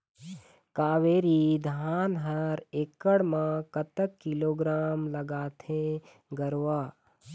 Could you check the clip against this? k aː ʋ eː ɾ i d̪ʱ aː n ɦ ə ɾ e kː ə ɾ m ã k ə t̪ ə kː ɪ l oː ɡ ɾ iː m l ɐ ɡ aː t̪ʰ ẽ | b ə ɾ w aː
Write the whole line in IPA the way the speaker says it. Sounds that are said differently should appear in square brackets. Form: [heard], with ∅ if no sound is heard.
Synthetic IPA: k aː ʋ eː ɾ i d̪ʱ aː n ɦ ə ɾ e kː ə [ɽ] m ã k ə t̪ ə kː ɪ l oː ɡ ɾ [aː] m l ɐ ɡ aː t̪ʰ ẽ | [ɡ] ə ɾ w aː